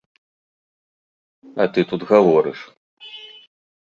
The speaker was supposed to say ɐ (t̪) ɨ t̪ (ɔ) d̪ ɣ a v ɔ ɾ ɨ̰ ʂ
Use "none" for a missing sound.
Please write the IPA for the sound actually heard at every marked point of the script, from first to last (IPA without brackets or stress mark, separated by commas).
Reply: t̪, u